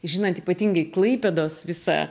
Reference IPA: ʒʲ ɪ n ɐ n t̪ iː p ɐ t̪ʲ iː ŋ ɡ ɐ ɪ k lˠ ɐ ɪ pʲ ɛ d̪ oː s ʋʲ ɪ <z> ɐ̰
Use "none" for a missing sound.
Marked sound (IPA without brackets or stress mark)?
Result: s